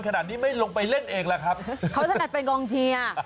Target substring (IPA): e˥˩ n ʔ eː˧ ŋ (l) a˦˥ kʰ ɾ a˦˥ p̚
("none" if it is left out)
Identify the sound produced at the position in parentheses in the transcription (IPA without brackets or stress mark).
l